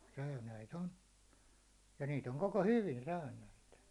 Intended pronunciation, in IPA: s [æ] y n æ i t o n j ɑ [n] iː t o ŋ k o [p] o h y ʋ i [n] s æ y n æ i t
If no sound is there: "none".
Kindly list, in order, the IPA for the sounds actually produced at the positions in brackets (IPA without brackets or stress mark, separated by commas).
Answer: æ, n, k, n